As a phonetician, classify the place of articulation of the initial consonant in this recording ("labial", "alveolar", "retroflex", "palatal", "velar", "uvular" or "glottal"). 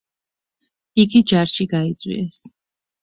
velar